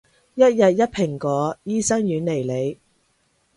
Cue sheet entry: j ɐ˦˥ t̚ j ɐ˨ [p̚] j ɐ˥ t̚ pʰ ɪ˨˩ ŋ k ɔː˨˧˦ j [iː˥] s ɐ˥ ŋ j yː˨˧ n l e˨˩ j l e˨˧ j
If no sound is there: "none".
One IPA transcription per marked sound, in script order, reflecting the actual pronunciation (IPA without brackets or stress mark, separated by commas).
t̚, iː˥